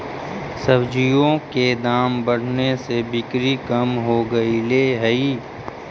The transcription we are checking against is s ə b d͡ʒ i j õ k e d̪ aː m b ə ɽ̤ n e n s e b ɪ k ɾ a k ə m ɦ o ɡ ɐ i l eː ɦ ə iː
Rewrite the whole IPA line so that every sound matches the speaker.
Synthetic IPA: s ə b d͡ʒ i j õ k e d̪ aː m b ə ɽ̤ n e s e b ɪ k ɾ i k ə m ɦ o ɡ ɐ i l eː ɦ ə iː